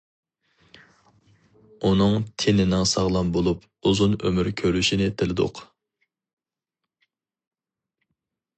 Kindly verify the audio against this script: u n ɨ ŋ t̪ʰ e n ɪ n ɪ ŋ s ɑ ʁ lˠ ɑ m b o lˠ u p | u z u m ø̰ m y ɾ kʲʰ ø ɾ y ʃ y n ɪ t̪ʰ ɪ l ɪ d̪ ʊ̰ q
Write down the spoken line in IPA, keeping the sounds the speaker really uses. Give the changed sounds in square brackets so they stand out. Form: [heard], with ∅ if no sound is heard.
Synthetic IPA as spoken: u n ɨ ŋ t̪ʰ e n ɪ n ɪ ŋ s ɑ ʁ lˠ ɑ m b o lˠ u p | u z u [n] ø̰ m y ɾ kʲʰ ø ɾ y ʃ [i] n ɪ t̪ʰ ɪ l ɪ d̪ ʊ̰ q